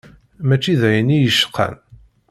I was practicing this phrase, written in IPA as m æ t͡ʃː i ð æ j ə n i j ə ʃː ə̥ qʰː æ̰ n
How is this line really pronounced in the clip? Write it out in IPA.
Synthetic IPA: m æ t͡ʃː i ð æ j ə n i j ə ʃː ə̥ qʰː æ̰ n